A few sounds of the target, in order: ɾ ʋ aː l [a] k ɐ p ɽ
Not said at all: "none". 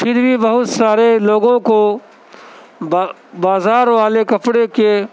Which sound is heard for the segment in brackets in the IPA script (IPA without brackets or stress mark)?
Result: e